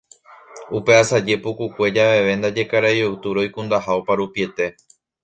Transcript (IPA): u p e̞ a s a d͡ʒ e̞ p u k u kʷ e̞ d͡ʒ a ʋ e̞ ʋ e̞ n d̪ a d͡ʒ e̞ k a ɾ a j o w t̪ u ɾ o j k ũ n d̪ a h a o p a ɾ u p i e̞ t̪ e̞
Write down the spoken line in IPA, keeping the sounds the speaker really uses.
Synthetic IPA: u p e̞ a s a d͡ʒ e̞ p u k u kʷ e̞ d͡ʒ a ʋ e̞ ʋ e̞ n d̪ a d͡ʒ e̞ k a ɾ a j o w t̪ u ɾ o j k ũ n d̪ a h a o p a ɾ u p i e̞ t̪ e̞